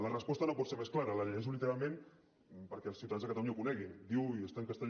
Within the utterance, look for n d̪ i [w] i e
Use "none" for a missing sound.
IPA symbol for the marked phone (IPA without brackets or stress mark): w